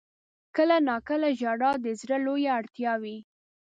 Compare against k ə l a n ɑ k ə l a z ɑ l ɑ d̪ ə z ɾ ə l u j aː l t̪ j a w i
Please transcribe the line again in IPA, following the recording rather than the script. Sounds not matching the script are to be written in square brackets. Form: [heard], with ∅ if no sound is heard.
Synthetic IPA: k ə l a n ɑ k ə l a [ʒ] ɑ [ɽ] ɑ d̪ ə z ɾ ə l [o] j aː [ɽ] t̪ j [ɑ] w i